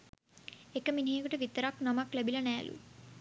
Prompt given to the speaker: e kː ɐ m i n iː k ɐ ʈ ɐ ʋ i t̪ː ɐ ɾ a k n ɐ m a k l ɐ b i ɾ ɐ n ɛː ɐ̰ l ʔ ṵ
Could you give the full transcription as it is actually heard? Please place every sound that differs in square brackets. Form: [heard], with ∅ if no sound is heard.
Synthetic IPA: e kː ɐ m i n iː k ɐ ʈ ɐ ʋ i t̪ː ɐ ɾ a k n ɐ m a k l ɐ b i [l] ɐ n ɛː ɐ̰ l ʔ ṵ